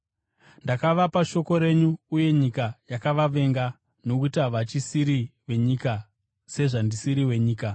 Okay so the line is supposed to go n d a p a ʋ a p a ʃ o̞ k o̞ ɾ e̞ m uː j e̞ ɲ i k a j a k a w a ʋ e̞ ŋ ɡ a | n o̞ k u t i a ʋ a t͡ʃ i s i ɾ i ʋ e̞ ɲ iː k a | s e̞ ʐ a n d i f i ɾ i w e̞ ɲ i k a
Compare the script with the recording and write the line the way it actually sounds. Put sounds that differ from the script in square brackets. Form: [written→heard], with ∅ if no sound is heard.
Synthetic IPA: n d a [p→k] a ʋ a p a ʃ o̞ k o̞ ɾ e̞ [m→ɲ] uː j e̞ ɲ i k a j a k a [w→ʋ] a ʋ e̞ ŋ ɡ a | n o̞ k u t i a ʋ a t͡ʃ i s i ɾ i ʋ e̞ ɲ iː k a | s e̞ ʐ a n d i [f→s] i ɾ i w e̞ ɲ [i→iː] k a